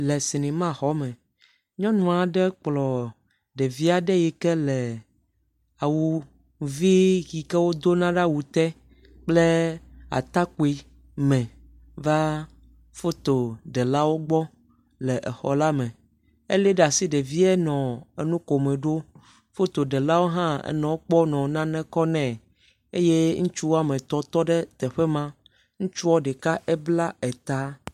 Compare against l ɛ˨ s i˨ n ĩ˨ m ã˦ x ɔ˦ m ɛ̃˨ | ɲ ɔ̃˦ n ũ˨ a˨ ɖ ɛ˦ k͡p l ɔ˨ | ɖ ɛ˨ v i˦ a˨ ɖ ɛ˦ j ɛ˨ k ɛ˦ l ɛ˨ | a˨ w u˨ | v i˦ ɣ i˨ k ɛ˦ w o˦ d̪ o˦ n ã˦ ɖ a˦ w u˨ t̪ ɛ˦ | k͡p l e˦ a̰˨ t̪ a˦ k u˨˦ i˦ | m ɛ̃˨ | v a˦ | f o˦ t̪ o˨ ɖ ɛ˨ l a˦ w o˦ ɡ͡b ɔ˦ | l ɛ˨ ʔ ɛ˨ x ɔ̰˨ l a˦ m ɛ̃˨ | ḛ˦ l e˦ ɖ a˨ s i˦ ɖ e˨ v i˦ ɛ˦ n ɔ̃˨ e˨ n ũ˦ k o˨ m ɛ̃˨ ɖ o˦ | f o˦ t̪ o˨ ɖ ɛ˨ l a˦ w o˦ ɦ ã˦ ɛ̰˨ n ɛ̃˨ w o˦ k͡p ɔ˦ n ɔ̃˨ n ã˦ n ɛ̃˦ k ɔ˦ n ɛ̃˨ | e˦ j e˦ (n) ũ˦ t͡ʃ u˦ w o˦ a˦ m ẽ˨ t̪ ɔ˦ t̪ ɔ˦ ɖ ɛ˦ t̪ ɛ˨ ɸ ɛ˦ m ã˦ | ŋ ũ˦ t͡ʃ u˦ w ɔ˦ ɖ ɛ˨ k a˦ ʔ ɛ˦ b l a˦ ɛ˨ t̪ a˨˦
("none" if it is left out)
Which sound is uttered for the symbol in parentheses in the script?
ŋ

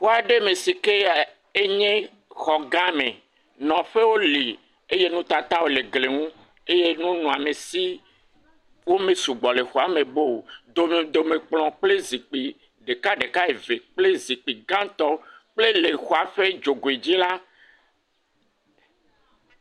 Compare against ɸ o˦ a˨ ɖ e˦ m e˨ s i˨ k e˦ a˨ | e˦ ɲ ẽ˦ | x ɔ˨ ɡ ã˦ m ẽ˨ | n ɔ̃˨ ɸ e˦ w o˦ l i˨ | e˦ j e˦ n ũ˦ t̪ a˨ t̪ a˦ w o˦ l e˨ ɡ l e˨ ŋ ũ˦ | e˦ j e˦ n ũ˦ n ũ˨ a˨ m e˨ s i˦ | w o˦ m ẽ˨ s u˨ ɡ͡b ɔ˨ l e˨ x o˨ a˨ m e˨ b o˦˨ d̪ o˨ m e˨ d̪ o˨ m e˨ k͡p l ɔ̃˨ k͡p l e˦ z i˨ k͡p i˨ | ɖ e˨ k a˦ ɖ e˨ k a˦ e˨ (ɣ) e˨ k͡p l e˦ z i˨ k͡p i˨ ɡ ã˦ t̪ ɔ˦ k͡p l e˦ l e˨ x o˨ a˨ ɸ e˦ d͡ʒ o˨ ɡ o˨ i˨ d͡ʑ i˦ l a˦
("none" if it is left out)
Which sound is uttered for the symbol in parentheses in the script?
v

